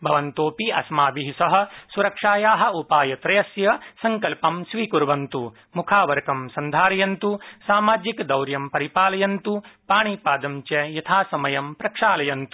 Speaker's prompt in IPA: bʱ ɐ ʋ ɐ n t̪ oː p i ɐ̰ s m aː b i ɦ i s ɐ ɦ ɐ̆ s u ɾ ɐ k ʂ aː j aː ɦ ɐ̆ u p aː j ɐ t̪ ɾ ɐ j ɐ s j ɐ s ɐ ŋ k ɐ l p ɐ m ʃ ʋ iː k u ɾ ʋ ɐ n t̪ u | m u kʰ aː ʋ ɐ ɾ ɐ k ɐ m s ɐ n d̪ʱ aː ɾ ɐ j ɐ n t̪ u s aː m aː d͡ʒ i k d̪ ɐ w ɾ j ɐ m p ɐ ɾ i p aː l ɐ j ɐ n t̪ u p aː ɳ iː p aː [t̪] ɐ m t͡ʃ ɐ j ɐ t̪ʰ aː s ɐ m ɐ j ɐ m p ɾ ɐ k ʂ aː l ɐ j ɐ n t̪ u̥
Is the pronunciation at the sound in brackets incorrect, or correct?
incorrect